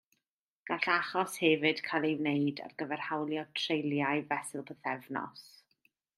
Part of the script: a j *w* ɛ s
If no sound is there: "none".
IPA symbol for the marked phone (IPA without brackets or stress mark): v